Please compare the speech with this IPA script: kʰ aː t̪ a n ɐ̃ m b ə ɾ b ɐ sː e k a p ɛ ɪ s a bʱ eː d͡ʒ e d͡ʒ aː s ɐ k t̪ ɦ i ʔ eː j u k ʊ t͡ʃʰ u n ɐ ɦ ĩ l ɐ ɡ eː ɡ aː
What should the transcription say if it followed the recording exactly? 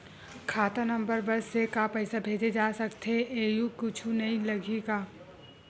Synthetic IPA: kʰ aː t̪ a n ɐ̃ m b ə ɾ b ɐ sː e k a p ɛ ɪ s a bʱ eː d͡ʒ e d͡ʒ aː s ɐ k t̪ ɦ e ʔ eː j u k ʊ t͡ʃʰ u n ɐ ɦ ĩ l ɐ ɡ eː ɡ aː